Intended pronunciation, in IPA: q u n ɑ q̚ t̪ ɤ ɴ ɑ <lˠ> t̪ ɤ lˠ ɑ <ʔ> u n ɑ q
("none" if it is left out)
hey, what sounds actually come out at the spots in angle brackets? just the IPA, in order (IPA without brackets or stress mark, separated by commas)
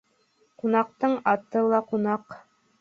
none, q